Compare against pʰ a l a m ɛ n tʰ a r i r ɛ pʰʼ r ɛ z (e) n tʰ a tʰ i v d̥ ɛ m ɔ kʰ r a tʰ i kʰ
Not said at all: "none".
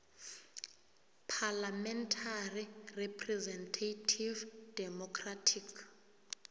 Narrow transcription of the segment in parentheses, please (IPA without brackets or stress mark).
ɛ